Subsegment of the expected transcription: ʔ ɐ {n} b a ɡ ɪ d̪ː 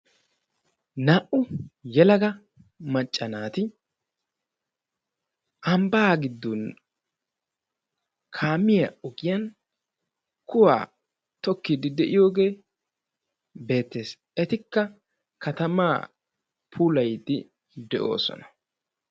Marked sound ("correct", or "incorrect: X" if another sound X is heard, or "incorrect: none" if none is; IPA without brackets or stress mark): incorrect: m